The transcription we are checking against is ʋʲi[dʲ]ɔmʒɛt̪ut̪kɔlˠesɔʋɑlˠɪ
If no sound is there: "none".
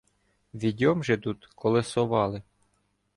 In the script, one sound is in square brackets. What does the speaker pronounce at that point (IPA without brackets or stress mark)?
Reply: dʲ